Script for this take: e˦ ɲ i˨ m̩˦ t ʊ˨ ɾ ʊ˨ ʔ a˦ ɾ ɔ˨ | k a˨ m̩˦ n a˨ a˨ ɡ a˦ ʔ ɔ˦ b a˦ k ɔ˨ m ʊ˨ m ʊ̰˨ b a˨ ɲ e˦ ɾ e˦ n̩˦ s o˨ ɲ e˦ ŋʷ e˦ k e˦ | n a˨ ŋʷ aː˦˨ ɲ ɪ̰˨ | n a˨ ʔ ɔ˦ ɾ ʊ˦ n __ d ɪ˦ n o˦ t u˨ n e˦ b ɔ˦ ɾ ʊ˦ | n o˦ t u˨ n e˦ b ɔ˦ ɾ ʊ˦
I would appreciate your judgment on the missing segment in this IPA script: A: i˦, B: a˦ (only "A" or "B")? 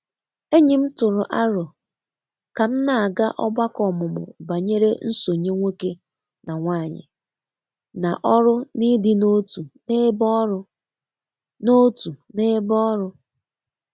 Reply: A